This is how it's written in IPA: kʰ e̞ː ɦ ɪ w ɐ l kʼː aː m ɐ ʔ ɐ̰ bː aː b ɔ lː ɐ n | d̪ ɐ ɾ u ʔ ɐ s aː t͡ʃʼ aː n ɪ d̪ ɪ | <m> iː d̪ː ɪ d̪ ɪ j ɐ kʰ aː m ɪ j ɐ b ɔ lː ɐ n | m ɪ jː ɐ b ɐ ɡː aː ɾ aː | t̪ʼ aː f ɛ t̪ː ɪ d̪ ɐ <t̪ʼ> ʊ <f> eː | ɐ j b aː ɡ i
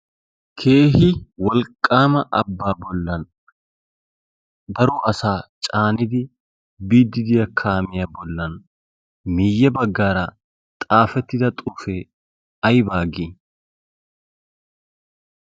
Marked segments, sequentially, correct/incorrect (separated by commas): incorrect, correct, correct